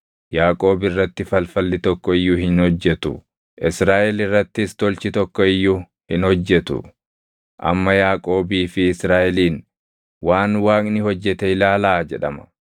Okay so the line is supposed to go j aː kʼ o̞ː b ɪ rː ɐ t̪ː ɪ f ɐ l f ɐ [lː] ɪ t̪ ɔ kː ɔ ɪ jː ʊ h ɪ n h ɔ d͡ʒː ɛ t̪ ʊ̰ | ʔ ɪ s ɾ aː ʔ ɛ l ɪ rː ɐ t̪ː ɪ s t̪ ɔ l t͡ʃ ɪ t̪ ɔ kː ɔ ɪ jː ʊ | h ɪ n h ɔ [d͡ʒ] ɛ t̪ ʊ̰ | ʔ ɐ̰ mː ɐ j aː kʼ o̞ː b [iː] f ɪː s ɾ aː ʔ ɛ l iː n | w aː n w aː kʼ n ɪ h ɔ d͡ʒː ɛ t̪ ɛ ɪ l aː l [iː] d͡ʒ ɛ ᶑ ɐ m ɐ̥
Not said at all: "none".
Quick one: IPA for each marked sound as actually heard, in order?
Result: lː, d͡ʒː, iː, aː

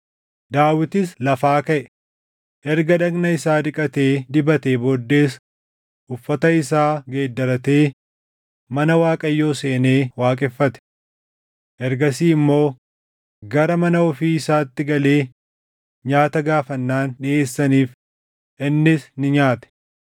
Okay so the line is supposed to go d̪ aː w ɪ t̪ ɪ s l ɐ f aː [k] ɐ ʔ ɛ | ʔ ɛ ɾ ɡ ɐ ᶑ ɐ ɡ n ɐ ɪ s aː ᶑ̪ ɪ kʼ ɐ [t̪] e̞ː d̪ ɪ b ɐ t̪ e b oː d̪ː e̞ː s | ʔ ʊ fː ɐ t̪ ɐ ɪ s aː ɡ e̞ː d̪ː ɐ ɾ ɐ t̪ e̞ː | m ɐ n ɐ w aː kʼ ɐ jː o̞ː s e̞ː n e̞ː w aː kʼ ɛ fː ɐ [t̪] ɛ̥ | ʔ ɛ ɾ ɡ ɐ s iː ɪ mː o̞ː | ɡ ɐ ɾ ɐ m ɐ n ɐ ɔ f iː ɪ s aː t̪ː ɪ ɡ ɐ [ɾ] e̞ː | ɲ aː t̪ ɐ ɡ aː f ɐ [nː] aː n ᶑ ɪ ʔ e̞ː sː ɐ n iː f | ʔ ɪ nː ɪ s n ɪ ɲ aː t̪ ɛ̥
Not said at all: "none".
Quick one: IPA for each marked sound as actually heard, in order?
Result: k, t̪, t̪, l, nː

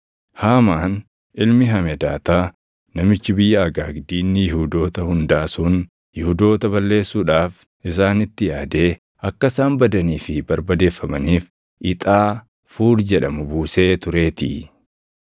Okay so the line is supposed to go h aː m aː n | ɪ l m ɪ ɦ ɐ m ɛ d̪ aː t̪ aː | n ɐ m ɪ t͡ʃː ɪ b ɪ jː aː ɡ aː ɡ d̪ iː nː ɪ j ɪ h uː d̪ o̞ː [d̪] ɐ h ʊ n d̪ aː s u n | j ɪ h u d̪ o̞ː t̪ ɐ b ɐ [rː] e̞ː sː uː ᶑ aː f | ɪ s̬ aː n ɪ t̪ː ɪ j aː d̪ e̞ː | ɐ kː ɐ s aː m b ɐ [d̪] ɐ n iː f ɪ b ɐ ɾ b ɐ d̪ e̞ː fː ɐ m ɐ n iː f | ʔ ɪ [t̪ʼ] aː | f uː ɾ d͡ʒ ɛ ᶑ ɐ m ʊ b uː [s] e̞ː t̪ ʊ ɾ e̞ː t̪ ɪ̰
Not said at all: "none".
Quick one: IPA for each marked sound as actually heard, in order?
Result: t̪, lː, d̪, t̪ʼ, s

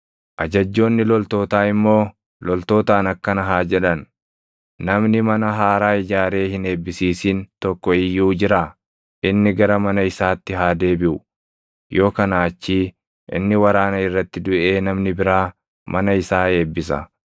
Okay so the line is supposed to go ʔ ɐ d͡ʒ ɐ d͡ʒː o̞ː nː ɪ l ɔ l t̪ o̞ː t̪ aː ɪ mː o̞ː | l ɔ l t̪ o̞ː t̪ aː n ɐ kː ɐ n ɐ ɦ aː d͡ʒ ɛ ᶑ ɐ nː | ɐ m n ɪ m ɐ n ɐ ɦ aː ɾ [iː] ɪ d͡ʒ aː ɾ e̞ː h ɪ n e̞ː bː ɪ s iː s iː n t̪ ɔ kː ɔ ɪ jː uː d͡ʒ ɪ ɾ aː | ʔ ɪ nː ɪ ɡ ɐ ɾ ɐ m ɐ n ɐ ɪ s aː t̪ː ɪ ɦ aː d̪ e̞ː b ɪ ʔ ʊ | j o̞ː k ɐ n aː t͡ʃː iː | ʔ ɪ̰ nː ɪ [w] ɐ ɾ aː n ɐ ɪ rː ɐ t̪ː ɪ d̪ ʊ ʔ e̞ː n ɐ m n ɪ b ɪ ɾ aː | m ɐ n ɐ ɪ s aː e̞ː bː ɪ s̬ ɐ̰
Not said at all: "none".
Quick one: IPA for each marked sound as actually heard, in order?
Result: aː, w

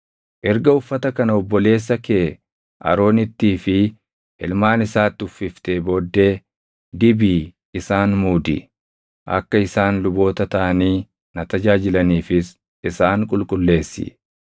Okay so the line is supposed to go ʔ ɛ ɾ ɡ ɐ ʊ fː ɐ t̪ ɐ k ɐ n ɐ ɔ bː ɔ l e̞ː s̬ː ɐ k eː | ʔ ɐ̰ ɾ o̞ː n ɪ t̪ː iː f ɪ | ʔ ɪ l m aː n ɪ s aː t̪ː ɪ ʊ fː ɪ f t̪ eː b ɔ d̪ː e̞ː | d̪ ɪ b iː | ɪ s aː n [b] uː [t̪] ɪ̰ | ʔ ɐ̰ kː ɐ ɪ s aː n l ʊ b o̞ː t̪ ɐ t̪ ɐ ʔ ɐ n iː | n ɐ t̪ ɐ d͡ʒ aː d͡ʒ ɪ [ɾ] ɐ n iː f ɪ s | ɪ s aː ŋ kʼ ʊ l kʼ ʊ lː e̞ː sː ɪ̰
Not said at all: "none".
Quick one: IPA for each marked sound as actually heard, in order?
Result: m, d̪, l

